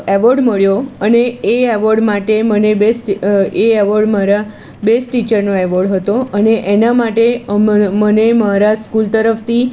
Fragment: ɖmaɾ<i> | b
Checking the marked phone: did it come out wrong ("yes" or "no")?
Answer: yes